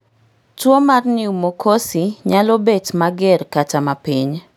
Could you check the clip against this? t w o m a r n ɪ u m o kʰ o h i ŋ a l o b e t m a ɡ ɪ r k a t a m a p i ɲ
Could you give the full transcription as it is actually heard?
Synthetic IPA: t w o m a r n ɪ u m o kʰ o s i ɲ a l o b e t m a ɡ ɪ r k a t a m a p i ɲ